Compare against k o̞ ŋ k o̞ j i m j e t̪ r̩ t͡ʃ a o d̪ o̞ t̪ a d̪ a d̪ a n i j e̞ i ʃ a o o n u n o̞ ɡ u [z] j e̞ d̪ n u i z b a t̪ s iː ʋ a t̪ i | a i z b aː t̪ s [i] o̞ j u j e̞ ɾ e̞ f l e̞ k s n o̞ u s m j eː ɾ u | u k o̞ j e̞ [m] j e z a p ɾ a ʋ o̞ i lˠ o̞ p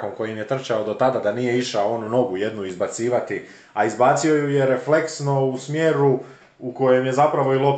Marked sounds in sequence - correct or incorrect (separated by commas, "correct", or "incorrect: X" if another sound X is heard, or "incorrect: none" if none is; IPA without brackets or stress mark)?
incorrect: none, correct, correct